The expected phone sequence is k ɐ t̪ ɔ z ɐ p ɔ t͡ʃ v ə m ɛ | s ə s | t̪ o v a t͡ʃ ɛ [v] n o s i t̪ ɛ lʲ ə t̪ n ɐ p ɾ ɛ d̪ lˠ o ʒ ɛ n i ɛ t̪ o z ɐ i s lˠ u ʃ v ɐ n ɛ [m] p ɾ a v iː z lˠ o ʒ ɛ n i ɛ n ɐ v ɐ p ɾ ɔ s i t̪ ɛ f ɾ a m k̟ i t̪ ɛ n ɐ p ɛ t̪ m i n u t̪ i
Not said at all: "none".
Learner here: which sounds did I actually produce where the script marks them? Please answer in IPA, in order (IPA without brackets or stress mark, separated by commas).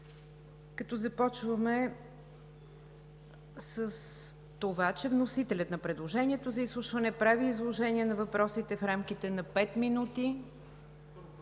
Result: v, none